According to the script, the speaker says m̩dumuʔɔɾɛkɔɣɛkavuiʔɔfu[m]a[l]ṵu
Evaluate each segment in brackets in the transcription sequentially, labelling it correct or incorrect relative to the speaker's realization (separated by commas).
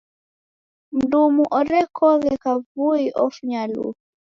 incorrect, correct